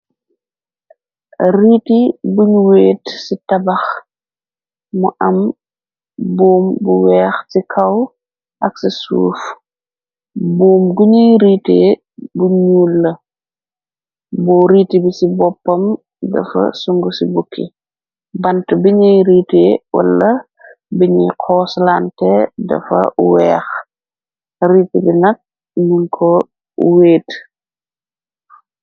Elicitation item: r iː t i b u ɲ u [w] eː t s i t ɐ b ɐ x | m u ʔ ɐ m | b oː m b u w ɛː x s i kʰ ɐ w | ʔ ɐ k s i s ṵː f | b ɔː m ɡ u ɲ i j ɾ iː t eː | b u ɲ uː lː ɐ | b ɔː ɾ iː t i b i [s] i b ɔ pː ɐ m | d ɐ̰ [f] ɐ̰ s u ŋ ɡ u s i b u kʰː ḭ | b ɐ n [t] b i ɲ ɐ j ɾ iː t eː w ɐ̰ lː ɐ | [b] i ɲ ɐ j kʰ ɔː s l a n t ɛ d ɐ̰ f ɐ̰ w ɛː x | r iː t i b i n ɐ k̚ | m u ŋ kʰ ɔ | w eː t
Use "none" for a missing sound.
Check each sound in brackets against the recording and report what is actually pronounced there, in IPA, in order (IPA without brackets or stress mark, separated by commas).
w, s, f, t, b